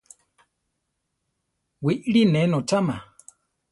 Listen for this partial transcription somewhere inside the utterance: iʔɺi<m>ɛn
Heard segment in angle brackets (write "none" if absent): n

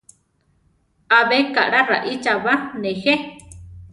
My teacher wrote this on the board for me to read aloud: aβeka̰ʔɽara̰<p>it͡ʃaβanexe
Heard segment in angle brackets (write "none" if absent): ʔ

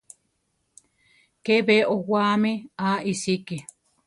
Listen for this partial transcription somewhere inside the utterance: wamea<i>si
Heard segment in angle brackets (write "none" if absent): i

